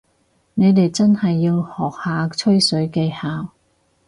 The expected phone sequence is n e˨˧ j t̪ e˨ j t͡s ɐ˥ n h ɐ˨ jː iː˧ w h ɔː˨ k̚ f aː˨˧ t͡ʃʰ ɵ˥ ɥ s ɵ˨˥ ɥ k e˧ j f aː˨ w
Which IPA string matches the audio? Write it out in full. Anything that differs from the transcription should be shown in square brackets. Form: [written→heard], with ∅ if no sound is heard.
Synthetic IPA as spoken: n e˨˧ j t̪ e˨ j t͡s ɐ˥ n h ɐ˨ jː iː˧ w h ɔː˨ k̚ [f→h] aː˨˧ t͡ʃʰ ɵ˥ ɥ s ɵ˨˥ ɥ k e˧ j [f→h] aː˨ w